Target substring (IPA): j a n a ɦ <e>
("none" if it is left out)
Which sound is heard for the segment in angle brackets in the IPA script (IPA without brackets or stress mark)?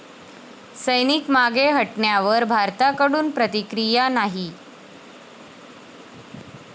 i